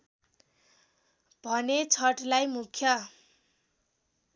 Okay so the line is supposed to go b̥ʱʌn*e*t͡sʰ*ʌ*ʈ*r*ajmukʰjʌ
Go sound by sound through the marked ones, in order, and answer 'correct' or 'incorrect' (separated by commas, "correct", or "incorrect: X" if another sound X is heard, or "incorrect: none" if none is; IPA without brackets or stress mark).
correct, correct, incorrect: l